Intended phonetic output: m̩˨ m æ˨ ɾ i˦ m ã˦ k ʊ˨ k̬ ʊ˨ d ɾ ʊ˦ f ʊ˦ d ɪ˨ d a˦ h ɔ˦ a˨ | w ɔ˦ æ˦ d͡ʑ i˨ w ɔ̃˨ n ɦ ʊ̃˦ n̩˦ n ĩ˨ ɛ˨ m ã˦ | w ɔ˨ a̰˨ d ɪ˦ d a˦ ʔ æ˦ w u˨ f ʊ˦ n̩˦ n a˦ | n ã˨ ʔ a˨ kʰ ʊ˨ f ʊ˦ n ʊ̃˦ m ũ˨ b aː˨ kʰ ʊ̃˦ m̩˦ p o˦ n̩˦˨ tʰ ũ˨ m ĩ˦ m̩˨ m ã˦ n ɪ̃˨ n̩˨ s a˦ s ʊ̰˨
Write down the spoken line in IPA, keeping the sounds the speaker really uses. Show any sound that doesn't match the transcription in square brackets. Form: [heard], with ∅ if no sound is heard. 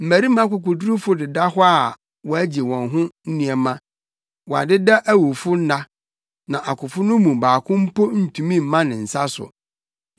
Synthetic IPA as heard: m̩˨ m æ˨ ɾ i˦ m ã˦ k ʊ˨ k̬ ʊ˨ d ɾ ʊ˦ f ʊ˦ d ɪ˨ d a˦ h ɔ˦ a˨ | w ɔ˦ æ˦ d͡ʑ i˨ w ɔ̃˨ n ɦ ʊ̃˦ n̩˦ n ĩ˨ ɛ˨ m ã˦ | w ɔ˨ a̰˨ d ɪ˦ d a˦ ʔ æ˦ w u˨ f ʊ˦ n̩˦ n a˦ | n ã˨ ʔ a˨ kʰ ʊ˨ f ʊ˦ n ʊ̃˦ m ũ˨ b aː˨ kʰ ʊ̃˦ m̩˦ p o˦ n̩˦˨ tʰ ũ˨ m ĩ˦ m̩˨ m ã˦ n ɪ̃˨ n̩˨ s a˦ s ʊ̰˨